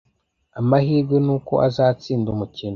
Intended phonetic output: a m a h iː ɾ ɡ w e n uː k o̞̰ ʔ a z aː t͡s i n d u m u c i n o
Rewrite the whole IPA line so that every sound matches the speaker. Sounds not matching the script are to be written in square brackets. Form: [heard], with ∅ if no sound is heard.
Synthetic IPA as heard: a m a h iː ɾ ɡ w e n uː k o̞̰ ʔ a z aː t͡s [iː] n d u m u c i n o